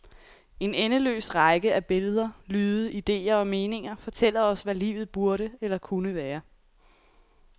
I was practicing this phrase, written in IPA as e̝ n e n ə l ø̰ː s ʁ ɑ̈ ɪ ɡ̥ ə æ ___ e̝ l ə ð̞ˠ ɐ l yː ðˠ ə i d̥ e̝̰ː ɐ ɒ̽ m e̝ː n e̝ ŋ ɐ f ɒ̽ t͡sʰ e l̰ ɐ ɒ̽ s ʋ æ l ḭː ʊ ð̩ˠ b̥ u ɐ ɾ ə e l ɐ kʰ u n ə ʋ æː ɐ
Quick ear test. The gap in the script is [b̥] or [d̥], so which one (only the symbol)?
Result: b̥